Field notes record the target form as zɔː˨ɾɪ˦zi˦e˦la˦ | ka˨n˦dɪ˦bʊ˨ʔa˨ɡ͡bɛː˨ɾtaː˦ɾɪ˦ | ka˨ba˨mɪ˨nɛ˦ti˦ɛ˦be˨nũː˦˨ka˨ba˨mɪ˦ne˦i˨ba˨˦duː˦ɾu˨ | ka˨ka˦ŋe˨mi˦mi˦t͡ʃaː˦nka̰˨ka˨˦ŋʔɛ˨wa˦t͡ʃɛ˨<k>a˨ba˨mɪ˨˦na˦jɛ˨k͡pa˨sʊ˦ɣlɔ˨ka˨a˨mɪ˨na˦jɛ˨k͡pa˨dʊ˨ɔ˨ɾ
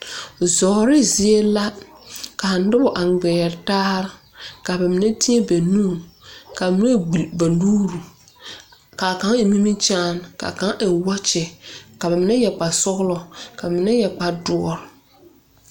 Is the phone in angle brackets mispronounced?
no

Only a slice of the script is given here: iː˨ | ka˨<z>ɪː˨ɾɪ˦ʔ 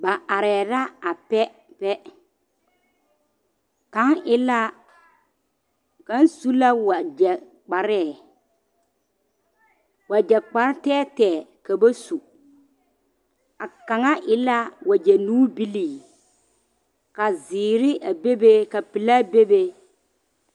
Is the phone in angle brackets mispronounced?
no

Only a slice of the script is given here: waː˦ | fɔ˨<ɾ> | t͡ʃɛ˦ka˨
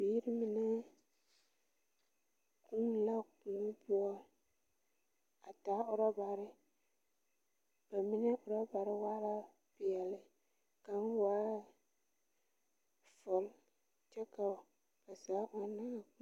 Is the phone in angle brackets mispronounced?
yes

